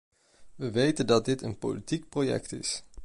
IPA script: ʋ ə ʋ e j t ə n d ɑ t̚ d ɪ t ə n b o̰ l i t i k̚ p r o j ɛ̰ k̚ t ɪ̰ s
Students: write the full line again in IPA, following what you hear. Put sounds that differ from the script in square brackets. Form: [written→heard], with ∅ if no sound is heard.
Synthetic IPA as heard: ʋ ə ʋ e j t ə n d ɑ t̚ d ɪ t ə n [b→p] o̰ l i t i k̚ p r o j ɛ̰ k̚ t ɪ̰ s